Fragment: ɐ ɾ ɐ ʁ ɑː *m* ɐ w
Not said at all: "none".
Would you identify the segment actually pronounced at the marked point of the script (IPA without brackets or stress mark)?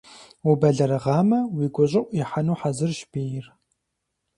m